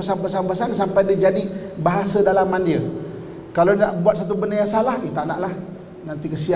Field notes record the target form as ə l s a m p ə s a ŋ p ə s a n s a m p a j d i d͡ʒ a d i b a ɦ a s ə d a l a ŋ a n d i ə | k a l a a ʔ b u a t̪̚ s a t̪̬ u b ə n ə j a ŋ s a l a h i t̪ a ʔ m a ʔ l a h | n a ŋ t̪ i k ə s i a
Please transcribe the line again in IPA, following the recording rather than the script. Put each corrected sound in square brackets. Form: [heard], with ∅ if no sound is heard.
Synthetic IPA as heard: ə [∅] s a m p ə s a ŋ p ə s a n s a m p a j d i d͡ʒ a d i b a ɦ a s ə d a l a [m] a n d i ə | k a l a a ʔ b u a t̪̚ s a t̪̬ u b ə n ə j a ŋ s a l a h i t̪ a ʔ [n] a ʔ l a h | n a [n] t̪ i k ə s i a